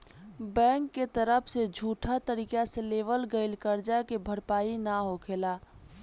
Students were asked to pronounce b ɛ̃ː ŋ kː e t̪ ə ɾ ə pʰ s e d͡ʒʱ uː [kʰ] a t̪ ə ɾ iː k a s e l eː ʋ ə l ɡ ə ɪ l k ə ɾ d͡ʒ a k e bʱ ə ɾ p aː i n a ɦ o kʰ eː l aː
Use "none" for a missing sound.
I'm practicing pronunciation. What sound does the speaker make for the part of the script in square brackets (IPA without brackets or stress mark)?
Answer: ʈʰ